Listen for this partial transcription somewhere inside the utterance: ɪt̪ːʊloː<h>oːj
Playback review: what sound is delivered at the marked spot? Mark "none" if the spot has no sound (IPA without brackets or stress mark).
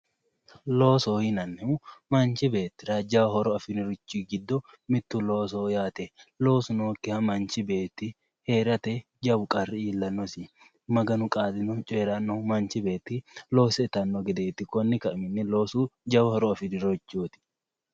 s